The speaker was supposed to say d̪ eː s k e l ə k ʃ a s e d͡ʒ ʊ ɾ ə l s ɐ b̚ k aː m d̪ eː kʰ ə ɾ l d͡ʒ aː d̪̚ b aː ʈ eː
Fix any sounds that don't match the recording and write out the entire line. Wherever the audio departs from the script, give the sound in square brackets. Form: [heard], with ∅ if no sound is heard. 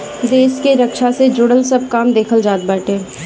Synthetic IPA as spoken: d̪ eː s k e [ɾ] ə k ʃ a s e d͡ʒ ʊ [ɽ] ə l s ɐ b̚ k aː m d̪ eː kʰ ə [∅] l d͡ʒ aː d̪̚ b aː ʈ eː